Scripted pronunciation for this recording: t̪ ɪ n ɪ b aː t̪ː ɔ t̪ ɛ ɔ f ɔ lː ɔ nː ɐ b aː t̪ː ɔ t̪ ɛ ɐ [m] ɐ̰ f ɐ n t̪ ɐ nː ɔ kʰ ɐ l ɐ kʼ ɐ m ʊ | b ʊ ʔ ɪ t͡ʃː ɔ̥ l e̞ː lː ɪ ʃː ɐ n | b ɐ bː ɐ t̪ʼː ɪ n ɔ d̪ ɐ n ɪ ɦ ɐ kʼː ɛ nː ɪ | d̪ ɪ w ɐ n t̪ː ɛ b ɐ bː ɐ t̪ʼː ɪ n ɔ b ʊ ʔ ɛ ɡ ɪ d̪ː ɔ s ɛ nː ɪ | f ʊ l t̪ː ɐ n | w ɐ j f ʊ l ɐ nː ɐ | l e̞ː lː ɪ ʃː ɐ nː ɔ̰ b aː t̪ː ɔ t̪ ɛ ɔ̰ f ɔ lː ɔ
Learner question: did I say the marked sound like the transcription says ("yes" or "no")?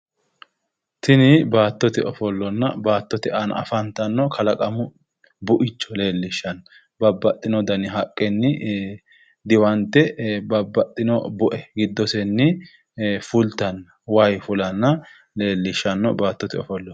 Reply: no